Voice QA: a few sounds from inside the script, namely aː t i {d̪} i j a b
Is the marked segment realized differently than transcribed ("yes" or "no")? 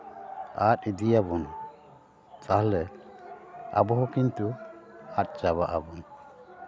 no